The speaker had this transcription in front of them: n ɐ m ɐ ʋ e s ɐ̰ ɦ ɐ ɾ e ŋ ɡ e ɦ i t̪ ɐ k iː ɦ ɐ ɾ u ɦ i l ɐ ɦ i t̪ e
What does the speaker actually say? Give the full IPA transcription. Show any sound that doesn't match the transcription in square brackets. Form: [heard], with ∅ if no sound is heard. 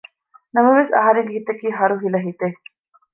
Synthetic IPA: n ɐ m ɐ ʋ e s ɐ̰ ɦ ɐ ɾ e ŋ ɡ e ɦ i t̪ ɐ k iː ɦ ɐ ɾ u ɦ i l ɐ ɦ i t̪ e